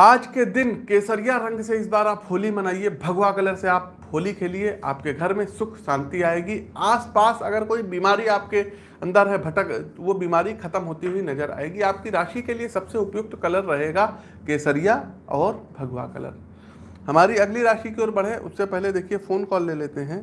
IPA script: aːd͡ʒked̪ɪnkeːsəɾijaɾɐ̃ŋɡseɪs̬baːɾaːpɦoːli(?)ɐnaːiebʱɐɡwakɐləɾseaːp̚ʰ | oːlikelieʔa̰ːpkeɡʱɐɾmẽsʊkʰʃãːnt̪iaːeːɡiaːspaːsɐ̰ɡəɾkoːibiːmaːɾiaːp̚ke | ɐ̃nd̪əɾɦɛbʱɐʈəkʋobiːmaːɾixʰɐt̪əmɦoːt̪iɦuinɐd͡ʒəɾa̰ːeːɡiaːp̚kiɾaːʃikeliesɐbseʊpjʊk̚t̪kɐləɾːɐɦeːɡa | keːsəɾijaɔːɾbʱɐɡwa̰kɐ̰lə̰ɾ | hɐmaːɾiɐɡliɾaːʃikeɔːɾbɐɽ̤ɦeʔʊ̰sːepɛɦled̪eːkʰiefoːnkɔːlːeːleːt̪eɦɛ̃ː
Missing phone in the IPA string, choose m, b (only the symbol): m